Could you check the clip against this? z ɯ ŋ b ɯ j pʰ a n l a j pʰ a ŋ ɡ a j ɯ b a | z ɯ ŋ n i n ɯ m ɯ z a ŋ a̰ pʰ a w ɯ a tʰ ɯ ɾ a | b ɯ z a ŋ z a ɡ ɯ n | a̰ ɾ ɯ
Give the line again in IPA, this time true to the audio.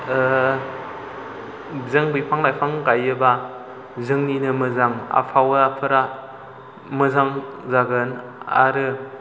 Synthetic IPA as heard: z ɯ ŋ b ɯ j pʰ a ŋ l a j pʰ a ŋ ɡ a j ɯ b a | z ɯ ŋ n i n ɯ m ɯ z a ŋ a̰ pʰ a w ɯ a pʰ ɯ ɾ a | m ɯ z a ŋ z a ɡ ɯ n | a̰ ɾ ɯ

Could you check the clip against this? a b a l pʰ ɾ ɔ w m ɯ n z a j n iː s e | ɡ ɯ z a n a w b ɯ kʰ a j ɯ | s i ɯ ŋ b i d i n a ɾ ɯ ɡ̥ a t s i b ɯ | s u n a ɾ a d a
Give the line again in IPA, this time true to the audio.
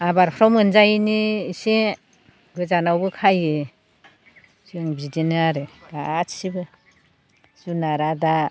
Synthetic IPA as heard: a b a ɾ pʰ ɾ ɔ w m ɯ n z a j n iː s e | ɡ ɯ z a n a w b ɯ kʰ a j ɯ | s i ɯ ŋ b i d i n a ɾ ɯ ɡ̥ a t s i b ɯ | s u n a ɾ a d a

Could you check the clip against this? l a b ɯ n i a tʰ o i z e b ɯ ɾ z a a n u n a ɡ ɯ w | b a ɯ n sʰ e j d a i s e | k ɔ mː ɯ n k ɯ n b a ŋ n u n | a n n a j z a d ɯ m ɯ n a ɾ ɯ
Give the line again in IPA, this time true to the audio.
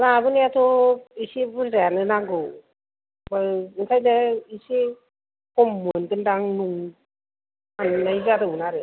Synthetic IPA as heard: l a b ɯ n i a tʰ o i s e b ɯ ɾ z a a n ɯ n a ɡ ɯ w | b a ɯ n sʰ a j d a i s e | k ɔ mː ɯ n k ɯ n d a ŋ n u ŋ | a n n a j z a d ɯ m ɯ n a ɾ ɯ

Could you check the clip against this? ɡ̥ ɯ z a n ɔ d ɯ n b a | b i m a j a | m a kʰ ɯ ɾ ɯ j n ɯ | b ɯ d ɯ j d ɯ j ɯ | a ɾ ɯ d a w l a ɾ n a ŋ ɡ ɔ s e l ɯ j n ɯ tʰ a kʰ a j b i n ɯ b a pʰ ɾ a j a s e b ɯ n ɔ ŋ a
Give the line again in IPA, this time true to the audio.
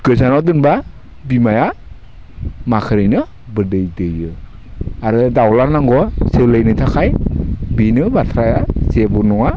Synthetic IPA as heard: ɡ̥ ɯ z a n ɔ d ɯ n b a | b i m a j a | m a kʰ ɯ ɾ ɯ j n ɯ | b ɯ d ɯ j d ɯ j ɯ | a ɾ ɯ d a w l a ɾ n a ŋ ɡ ɔ s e l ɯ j n ɯ tʰ a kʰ a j b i n ɯ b a tʰ ɾ a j a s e b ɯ n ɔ ŋ a

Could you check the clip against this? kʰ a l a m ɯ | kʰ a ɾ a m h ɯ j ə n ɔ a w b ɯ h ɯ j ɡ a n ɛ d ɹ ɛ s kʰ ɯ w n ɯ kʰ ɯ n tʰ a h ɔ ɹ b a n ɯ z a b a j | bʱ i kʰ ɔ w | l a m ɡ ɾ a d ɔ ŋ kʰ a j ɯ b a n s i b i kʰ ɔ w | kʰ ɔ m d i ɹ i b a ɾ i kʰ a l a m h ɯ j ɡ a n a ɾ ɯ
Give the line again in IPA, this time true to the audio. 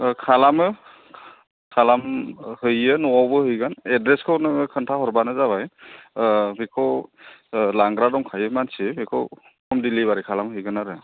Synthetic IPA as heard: kʰ a l a m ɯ | kʰ a l a m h ɯ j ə n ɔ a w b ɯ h ɯ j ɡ a n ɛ d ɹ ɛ s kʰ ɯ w n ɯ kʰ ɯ n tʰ a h ɔ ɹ b a n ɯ z a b a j | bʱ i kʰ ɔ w | l a ŋ ɡ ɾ a d ɔ ŋ kʰ a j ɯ m a n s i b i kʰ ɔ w | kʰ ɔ m d i l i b a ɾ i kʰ a l a m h ɯ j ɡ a n a ɾ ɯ

